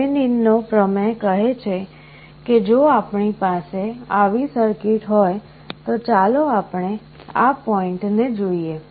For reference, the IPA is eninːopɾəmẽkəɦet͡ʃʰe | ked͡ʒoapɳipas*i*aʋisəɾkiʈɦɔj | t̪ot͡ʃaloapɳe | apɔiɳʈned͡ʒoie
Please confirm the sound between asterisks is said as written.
no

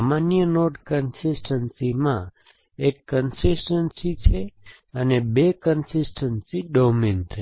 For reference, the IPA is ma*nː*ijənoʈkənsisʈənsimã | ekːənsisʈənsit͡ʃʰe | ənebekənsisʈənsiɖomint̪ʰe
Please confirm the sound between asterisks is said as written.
no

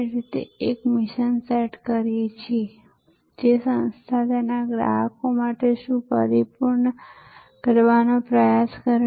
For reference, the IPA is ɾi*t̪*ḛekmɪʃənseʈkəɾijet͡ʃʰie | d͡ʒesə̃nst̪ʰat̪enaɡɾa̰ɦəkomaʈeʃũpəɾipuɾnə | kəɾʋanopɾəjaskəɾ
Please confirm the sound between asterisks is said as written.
yes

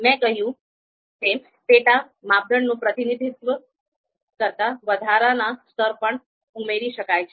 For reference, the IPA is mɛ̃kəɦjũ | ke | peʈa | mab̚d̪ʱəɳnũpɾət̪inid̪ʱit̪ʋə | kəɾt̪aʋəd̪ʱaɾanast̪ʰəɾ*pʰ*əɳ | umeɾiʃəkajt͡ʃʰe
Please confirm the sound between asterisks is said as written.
no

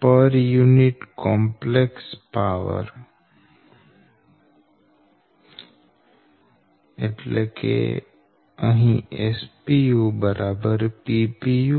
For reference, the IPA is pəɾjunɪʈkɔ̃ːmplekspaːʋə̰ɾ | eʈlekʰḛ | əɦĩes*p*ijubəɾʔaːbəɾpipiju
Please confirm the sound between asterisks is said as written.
yes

